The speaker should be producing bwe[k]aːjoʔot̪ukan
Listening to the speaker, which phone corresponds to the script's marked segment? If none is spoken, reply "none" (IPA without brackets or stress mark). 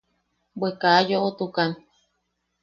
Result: k